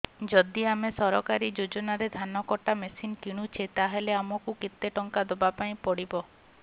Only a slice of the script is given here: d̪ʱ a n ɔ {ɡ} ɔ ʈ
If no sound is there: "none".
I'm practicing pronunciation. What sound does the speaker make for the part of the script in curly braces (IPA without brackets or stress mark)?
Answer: k